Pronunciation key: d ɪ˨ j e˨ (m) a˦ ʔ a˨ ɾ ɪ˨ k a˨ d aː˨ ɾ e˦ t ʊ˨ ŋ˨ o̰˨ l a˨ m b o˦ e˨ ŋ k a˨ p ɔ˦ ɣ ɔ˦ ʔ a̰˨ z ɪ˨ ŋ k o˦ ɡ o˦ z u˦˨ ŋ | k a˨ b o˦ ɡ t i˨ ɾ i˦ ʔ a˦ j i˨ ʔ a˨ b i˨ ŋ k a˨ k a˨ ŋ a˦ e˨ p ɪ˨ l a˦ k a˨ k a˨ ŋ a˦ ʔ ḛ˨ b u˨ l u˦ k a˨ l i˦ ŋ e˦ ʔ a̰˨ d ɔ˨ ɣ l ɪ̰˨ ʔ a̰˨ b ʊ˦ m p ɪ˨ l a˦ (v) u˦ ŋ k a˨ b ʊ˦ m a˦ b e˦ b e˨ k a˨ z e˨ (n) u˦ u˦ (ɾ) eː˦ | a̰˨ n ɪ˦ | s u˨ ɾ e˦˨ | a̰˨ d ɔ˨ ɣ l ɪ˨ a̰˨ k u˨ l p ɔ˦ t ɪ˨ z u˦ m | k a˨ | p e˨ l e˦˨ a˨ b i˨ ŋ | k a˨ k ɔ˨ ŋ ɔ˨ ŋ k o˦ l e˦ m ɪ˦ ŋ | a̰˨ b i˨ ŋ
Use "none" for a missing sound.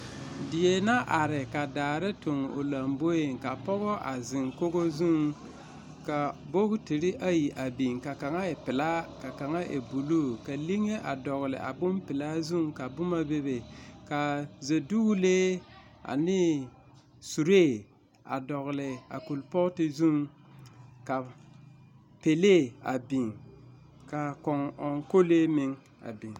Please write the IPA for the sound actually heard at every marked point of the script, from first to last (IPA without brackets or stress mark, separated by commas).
n, z, d, l